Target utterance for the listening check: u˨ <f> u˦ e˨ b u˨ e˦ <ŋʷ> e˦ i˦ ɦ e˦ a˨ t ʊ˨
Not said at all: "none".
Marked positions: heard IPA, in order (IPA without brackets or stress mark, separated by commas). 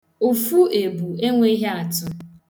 f, ŋʷ